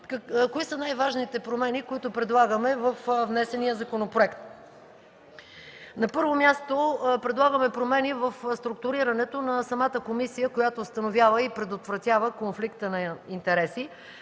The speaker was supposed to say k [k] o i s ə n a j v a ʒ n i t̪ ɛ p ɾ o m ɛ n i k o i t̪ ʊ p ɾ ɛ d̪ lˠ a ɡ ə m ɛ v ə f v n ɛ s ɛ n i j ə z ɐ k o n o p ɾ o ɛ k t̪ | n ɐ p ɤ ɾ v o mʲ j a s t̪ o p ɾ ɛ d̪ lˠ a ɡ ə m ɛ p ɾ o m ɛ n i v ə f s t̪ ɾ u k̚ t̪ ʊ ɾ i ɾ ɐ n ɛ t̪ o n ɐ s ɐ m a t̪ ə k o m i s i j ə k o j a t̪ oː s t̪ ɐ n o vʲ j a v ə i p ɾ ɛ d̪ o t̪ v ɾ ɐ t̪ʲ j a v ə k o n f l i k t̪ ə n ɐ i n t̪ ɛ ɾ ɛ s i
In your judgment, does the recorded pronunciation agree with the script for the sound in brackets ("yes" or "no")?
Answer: yes